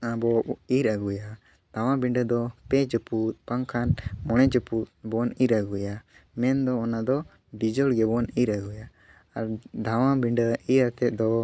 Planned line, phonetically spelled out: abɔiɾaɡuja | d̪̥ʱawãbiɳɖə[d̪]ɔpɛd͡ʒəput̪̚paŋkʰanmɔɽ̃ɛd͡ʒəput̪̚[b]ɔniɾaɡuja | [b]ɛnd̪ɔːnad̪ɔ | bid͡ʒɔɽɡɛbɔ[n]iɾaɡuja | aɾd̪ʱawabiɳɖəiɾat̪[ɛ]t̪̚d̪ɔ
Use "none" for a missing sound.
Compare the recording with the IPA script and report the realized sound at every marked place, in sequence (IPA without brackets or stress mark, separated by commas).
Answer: d̪, b, m, n, ɛ